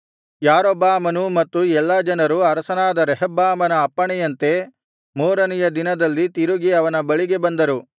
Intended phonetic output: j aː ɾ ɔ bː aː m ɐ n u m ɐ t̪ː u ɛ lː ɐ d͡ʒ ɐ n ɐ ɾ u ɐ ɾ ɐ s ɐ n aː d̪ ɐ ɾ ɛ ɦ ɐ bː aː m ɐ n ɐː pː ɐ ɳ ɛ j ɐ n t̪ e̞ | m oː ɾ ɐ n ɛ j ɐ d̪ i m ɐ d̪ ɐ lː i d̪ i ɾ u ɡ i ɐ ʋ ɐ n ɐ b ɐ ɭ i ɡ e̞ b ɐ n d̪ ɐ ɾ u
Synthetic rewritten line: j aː ɾ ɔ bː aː m ɐ n u m ɐ t̪ː u ɛ lː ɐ d͡ʒ ɐ n ɐ ɾ u ɐ ɾ ɐ s ɐ n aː d̪ ɐ ɾ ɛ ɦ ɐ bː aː m ɐ n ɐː pː ɐ ɳ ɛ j ɐ n t̪ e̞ | m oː ɾ ɐ n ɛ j ɐ d̪ i n ɐ d̪ ɐ lː i t̪ i ɾ u ɡ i ɐ ʋ ɐ n ɐ b ɐ ɭ i ɡ e̞ b ɐ n d̪ ɐ ɾ u